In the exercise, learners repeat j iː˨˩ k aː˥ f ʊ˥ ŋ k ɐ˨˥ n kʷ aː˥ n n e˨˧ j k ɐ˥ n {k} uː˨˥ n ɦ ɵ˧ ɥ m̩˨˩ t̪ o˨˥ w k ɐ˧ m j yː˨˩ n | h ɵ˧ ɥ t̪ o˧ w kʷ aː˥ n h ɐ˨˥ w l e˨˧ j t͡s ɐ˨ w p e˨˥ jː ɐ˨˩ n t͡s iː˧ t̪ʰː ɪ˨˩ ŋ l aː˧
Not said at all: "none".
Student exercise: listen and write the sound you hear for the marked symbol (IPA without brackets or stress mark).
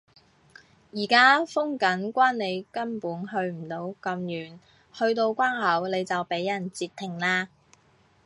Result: p